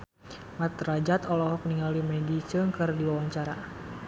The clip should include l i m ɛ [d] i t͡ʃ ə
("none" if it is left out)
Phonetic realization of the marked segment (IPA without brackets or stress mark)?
d